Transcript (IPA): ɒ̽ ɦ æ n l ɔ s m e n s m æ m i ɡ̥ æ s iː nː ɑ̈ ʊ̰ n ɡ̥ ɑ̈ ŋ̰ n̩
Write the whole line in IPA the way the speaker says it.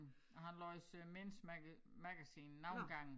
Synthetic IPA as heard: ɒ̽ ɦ æ n l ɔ s m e n s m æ m æ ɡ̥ æ s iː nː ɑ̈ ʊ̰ n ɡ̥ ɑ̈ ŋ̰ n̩